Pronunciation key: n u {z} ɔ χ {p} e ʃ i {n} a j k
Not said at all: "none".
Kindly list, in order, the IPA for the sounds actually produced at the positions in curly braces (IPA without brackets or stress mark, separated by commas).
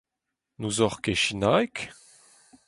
z, k, n